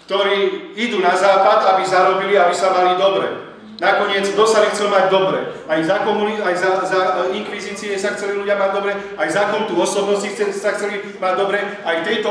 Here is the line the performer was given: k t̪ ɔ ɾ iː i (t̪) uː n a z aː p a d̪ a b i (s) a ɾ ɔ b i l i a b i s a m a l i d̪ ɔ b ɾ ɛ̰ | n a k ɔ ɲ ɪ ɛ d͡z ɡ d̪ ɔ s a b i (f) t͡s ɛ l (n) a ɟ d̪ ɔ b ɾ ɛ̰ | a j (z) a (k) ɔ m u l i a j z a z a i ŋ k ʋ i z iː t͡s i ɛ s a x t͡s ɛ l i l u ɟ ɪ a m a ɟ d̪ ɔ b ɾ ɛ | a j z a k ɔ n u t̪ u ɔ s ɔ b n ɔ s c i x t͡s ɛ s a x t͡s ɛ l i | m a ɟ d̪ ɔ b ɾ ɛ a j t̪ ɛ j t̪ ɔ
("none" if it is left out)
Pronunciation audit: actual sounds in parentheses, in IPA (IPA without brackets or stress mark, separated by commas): d̪, z, x, m, z, k